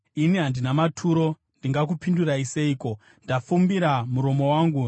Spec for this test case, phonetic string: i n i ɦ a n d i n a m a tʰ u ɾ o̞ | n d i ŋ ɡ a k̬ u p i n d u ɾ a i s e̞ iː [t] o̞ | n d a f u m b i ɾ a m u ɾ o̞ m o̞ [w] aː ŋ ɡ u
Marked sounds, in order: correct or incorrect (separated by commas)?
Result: incorrect, correct